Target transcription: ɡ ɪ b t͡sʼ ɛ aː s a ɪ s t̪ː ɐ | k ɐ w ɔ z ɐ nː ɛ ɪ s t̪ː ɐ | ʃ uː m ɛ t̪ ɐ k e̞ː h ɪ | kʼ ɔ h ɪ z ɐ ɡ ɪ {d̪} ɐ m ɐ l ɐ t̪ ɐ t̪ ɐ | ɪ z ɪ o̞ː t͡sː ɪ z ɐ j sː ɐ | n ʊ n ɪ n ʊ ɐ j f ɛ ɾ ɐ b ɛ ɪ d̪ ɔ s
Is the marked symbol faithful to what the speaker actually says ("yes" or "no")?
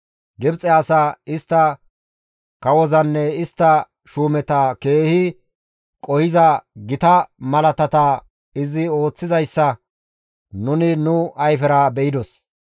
no